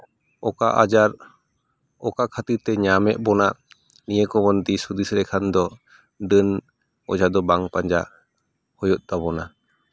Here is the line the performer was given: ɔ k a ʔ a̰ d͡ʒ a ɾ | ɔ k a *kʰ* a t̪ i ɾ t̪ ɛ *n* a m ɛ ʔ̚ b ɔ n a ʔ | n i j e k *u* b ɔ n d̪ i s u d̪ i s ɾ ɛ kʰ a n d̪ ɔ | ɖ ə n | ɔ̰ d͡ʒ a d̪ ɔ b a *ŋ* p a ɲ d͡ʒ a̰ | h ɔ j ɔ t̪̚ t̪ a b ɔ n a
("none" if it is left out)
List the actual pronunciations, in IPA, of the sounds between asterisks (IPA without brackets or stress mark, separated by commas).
kʰ, ɲ, ɔ, ŋ